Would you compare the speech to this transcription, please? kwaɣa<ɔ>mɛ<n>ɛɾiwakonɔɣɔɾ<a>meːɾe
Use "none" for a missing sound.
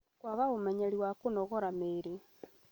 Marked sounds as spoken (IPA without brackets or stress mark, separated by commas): o, ɲ, a